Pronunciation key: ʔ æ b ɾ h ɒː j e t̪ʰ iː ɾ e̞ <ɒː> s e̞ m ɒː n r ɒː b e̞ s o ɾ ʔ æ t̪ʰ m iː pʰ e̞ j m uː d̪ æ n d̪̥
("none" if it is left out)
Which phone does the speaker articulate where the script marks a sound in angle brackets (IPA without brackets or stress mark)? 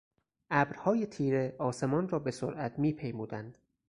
ɒː